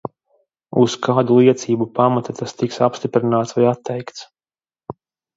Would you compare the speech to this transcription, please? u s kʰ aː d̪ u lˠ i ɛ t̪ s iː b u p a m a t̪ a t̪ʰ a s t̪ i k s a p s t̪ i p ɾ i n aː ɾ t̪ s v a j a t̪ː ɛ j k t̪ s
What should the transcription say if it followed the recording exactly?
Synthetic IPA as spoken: u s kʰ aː d̪ u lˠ i ɛ t̪ s iː b u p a m a t̪ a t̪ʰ a s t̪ i k s a p s t̪ i p ɾ i n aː t̪ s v a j a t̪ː ɛ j k t̪ s